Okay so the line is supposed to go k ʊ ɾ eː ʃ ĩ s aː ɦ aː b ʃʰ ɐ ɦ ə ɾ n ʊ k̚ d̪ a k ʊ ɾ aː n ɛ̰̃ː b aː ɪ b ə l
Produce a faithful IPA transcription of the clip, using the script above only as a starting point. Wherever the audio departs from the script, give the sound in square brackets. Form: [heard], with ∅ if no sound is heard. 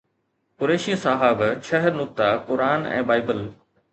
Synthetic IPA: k ʊ ɾ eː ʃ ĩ s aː ɦ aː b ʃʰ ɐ ɦ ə ɾ n ʊ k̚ [t̪] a k ʊ ɾ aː n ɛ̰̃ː b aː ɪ b ə l